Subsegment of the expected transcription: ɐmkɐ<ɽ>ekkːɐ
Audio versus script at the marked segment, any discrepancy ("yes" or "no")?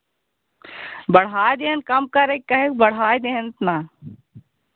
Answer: yes